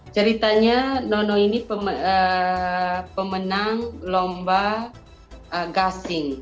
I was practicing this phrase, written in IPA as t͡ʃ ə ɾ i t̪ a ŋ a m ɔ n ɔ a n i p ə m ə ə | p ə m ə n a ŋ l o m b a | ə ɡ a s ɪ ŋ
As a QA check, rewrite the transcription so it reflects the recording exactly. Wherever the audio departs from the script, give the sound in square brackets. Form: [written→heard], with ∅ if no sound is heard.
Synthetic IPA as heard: t͡ʃ ə ɾ i t̪ a [ŋ→ɲ] a [m→n] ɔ n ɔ [a→i] n i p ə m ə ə | p ə m ə n a ŋ l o m b a | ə ɡ a s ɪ ŋ